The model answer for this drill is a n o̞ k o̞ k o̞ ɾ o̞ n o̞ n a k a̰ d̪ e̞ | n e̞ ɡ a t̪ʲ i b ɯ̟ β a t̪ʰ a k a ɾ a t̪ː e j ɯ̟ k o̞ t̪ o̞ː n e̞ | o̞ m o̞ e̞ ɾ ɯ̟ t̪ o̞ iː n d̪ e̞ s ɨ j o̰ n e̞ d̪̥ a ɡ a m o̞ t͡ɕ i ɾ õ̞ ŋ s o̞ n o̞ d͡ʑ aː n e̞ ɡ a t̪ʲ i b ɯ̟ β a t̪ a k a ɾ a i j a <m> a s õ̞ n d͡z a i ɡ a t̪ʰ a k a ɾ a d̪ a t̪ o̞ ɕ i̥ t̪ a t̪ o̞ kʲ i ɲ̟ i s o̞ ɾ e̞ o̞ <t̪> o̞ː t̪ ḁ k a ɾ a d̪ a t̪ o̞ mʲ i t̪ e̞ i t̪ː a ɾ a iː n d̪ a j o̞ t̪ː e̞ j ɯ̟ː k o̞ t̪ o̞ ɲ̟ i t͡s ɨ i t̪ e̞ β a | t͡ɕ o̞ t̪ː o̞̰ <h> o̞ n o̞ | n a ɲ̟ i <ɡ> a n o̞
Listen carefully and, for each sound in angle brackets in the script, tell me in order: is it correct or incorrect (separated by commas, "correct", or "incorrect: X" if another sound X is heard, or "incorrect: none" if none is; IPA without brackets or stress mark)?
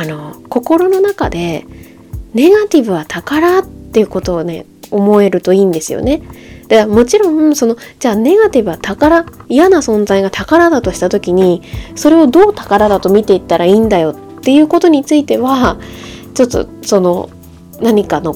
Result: incorrect: n, incorrect: d̪, incorrect: s, incorrect: k